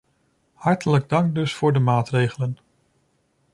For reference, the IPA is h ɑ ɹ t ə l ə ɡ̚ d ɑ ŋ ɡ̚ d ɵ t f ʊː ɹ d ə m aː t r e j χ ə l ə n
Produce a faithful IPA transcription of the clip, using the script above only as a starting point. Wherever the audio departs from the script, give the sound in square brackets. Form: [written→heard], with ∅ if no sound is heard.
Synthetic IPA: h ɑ ɹ t ə l ə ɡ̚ d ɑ ŋ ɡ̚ d ɵ [t→s] f ʊː ɹ d ə m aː t r e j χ ə l ə n